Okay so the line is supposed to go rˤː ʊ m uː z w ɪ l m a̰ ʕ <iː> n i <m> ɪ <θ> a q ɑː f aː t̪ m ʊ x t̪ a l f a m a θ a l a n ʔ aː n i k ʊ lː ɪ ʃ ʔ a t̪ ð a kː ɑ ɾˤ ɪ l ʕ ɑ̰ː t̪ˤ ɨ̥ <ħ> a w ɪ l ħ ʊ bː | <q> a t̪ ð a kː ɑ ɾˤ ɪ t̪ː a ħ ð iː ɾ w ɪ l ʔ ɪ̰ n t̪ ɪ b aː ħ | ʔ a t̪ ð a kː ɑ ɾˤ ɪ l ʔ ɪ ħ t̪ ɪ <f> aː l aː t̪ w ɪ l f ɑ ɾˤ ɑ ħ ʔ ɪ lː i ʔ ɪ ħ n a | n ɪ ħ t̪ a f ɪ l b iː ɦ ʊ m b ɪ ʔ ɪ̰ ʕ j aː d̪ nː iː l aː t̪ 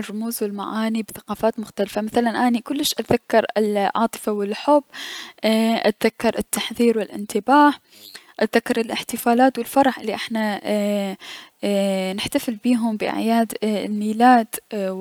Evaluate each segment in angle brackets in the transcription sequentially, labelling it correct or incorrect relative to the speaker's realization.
incorrect: aː, incorrect: b, correct, incorrect: f, incorrect: ʔ, correct

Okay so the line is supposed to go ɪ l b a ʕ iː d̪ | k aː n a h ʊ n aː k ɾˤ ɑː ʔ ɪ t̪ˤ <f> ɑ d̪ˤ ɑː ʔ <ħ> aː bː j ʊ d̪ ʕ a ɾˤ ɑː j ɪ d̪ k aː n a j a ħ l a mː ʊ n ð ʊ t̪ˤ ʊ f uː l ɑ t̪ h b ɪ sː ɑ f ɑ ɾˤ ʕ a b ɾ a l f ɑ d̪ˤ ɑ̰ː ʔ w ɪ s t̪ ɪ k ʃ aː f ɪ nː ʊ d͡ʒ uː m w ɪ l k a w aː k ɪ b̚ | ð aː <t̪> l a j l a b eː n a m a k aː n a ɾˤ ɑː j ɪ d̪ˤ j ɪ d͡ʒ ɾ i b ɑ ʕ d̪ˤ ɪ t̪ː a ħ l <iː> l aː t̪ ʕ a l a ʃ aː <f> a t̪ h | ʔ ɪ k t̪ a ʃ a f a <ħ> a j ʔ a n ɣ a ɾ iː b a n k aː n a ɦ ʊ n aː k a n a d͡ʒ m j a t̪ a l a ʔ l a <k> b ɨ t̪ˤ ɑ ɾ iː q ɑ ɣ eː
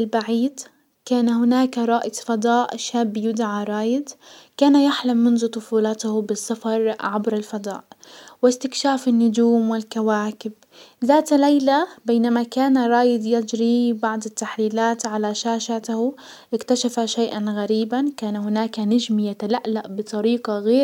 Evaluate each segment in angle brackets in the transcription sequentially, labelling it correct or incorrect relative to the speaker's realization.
correct, incorrect: ʃ, correct, correct, incorrect: ʃ, incorrect: ʃ, incorrect: ʔ

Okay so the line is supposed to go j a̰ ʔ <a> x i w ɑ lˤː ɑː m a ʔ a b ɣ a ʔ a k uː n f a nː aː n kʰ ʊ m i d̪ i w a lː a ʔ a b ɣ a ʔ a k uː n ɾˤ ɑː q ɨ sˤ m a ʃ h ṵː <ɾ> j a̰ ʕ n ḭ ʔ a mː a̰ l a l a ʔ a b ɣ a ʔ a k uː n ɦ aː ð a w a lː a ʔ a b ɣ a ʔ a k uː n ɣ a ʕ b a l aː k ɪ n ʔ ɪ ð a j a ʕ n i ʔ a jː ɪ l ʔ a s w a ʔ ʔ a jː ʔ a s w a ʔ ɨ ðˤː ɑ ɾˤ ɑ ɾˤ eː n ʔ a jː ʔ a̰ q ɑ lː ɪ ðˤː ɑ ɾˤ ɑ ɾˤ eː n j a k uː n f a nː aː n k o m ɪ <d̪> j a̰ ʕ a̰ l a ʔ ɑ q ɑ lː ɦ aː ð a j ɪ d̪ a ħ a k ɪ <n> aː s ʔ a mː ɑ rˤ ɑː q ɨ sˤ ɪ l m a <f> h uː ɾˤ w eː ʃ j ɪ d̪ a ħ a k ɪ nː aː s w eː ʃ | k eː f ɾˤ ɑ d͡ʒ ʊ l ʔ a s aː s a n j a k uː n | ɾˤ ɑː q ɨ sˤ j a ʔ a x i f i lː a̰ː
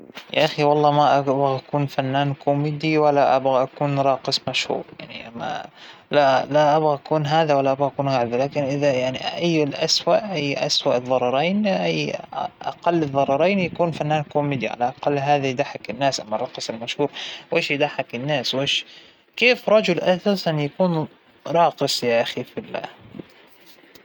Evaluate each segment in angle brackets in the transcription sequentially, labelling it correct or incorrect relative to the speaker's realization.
correct, correct, correct, incorrect: nː, incorrect: ʃ

